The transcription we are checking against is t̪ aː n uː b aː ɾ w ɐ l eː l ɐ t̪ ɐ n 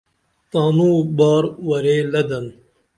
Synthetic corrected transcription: t̪ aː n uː b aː ɾ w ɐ ɾ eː l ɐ d̪ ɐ n